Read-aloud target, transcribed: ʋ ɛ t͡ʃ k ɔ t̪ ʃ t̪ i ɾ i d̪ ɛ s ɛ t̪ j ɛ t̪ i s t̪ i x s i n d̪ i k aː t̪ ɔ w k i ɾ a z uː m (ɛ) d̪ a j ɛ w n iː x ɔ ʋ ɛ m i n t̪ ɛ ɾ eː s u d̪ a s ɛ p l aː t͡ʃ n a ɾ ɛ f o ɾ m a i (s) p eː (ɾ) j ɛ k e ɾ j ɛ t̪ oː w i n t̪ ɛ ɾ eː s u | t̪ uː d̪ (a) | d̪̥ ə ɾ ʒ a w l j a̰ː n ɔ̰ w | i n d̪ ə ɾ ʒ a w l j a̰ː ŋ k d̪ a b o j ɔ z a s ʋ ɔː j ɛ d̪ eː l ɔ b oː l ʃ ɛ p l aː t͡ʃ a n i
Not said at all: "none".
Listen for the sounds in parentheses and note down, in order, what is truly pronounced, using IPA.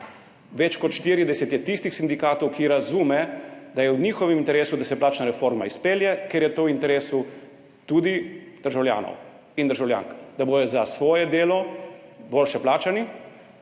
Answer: ɛ, s, l, i

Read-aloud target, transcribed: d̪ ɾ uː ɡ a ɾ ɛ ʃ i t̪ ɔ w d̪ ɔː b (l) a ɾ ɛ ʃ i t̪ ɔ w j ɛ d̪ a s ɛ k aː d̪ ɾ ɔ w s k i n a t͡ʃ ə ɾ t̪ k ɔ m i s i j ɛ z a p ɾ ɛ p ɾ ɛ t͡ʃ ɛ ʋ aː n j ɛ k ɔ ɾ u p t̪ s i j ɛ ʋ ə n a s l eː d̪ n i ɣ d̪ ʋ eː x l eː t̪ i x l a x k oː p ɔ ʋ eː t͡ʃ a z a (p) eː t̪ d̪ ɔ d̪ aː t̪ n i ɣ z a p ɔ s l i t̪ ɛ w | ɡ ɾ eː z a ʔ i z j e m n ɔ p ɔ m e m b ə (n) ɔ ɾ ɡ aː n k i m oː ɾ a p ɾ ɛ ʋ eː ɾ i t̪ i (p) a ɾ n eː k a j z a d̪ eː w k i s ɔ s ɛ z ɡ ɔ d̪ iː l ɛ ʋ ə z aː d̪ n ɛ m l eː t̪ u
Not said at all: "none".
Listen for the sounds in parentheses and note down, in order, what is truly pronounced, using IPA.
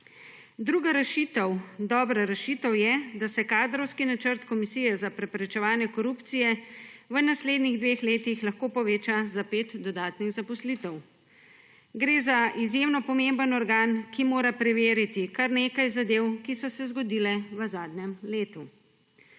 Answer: ɾ, p, n, k

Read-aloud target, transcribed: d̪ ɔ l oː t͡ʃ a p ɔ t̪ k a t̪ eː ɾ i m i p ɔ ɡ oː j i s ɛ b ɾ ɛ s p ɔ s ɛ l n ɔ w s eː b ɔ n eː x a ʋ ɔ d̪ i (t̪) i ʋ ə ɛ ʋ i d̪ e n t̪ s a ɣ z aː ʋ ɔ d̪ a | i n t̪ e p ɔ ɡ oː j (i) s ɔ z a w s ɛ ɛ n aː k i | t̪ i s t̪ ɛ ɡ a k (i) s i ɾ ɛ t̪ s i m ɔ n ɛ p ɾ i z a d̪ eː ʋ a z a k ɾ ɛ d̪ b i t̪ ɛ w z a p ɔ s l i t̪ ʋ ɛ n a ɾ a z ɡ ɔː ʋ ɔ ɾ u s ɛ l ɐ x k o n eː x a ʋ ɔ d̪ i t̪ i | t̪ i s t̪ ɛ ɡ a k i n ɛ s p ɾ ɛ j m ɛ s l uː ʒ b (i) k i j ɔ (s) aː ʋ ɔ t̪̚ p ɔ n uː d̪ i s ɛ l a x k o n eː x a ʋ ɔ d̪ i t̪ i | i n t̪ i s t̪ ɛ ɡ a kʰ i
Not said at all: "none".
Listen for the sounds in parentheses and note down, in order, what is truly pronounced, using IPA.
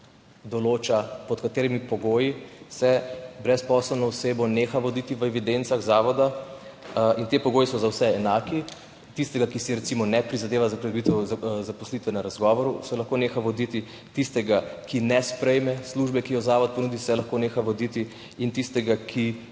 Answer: t̪, i, i, ɛ, z

